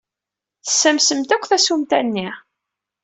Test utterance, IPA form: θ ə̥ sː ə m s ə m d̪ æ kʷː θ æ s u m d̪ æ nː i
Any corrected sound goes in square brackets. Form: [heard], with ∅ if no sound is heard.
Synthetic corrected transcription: θ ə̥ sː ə m s ə m [t̪] æ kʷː θ æ s u m [t̪] æ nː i